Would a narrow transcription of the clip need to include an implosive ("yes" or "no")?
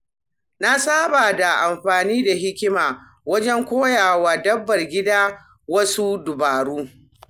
no